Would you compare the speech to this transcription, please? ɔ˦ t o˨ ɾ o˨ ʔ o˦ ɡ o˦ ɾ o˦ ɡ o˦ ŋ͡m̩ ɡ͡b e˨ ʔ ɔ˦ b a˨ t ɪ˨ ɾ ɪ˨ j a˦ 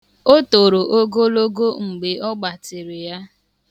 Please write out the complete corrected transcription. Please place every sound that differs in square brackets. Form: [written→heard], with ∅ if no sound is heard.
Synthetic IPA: [ɔ˦→o˦] t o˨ ɾ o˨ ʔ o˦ ɡ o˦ [ɾ→l] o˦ ɡ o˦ ŋ͡m̩ ɡ͡b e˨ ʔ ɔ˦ [b→ɡ͡b] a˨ t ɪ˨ ɾ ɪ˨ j a˦